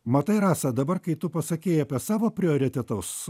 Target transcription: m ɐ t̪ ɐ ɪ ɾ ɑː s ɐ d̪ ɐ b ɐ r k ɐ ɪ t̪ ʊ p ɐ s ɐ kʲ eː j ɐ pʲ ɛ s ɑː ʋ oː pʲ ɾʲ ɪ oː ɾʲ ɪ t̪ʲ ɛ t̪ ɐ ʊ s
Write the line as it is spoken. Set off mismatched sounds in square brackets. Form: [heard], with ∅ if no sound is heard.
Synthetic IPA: m ɐ t̪ ɐ ɪ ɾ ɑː s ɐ d̪ ɐ b ɐ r k ɐ ɪ t̪ ʊ p ɐ s ɐ kʲ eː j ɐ pʲ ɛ s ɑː ʋ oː pʲ ɾʲ ɪ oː ɾʲ ɪ t̪ʲ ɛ t̪ ɐ ʊ s